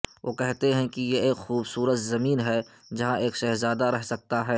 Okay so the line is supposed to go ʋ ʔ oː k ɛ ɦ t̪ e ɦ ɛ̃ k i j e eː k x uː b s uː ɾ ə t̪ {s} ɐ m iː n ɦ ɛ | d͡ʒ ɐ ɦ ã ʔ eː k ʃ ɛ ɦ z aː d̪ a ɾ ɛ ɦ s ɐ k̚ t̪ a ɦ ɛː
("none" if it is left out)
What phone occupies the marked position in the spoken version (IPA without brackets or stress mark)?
z